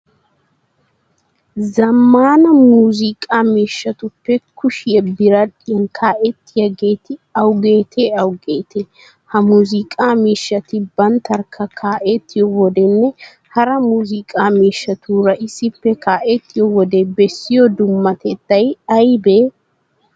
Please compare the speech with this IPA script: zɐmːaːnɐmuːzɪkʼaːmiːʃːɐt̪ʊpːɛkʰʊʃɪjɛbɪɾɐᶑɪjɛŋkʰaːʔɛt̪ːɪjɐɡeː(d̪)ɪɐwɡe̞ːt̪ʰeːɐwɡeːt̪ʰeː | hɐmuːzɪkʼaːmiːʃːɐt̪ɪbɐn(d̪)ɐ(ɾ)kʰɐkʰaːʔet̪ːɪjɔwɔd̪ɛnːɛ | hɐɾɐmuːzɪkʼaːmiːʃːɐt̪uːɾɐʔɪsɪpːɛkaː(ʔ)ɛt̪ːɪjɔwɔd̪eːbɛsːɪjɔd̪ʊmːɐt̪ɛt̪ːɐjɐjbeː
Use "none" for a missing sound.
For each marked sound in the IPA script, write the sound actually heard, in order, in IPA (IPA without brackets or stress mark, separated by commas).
t̪, t̪, ɾ, ʔ